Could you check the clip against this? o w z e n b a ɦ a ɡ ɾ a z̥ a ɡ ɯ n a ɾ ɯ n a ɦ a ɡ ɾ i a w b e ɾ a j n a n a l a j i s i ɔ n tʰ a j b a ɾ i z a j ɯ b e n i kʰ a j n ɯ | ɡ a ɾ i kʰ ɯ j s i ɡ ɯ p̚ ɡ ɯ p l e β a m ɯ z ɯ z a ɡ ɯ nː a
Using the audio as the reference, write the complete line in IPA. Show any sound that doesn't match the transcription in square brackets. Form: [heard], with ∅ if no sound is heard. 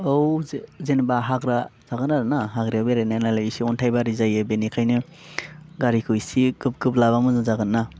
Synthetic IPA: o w z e n b a ɦ a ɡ ɾ a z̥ a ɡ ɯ n a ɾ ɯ n a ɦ a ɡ ɾ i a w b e ɾ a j n a n a l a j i s i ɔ n tʰ a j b a ɾ i z a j ɯ b e n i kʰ a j n ɯ | ɡ a ɾ i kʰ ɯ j s i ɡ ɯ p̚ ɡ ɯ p l [a] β a m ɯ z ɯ z a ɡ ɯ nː a